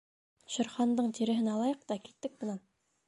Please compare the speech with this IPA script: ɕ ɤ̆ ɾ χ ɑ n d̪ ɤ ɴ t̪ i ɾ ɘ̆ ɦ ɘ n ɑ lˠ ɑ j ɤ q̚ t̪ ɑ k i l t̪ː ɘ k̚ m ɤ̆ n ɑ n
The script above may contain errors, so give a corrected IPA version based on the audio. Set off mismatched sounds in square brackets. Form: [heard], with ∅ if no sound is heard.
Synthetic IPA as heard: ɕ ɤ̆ ɾ χ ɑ n d̪ ɤ ɴ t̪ i ɾ ɘ̆ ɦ ɘ n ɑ lˠ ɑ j ɤ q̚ t̪ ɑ k i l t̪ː ɘ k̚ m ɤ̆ n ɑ n